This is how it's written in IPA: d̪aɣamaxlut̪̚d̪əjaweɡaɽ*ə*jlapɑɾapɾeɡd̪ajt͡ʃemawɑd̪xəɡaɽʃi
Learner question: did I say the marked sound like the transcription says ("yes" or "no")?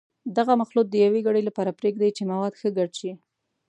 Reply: yes